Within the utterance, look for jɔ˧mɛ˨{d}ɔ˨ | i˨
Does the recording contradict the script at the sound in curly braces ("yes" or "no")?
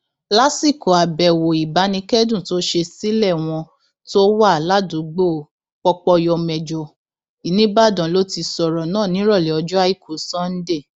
yes